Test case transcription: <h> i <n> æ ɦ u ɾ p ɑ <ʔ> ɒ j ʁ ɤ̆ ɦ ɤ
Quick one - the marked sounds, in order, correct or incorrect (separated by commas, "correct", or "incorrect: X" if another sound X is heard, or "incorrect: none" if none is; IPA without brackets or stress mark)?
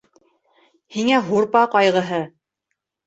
correct, incorrect: ŋ, incorrect: q